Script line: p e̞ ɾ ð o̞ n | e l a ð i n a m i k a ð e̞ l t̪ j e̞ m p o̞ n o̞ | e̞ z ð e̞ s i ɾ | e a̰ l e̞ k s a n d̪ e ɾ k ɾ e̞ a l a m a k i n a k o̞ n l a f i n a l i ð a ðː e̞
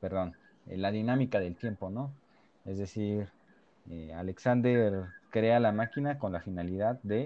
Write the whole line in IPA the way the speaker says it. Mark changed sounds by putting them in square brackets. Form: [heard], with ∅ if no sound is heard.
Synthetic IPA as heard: p e̞ ɾ ð o̞ n | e l a ð i n a m i k a ð e̞ l t̪ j e̞ m p o̞ n o̞ | e̞ z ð e̞ s i ɾ | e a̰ l e̞ k s a n d̪ e ɾ k ɾ e̞ a l a m a k i n a k o̞ n l a f i n a l i ð a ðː e̞